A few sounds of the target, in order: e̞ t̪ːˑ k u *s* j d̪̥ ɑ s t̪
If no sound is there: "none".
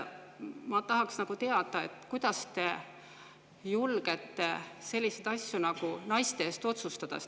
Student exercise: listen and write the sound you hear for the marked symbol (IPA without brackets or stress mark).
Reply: none